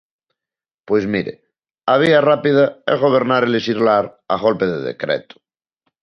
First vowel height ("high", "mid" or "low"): mid